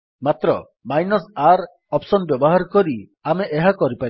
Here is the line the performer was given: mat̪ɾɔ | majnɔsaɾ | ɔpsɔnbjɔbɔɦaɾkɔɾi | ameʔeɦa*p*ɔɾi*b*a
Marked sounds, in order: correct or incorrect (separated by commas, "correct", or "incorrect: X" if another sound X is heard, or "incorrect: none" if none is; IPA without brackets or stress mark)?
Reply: incorrect: k, incorrect: p